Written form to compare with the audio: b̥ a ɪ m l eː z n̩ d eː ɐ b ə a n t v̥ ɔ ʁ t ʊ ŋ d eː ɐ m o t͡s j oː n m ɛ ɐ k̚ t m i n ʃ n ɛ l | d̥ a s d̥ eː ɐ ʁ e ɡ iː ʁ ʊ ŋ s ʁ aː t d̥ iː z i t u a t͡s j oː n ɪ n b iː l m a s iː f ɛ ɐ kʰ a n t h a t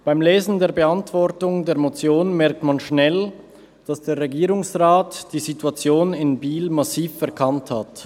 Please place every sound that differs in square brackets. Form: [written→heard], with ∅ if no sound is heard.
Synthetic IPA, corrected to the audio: b̥ a ɪ m l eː z n̩ d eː ɐ b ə a n t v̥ ɔ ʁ t ʊ ŋ d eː ɐ m o t͡s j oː n m ɛ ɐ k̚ t m [i→a] n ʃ n ɛ l | d̥ a s d̥ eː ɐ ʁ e ɡ iː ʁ ʊ ŋ s ʁ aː t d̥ iː z i t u a t͡s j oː n ɪ n b iː l m a s iː f ɛ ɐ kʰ a n t h a t